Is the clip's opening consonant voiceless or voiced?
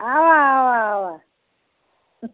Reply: voiced